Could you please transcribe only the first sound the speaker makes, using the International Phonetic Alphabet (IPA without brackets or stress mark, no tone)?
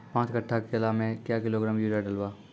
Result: p